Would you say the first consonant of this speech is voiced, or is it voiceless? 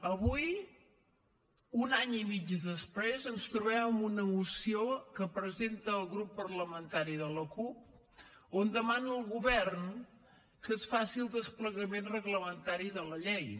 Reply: voiced